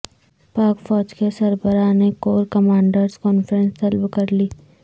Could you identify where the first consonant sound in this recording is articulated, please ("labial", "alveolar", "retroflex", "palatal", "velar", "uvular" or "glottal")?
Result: labial